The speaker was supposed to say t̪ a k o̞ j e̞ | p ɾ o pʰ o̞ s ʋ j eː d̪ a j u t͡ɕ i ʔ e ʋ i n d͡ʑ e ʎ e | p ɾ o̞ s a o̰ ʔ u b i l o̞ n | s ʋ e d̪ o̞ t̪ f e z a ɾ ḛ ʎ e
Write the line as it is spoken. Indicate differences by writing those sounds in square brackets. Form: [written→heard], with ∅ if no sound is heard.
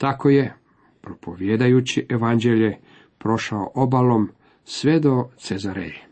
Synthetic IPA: t̪ a k o̞ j e̞ | p ɾ o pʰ o̞ [s→∅] ʋ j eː d̪ a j u t͡ɕ i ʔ e ʋ [i→a] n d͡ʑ e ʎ e | p ɾ o̞ [s→ʃ] a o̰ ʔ [u→o] b [i→a] l o̞ [n→m] | s ʋ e d̪ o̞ t̪ [f→s] e z a ɾ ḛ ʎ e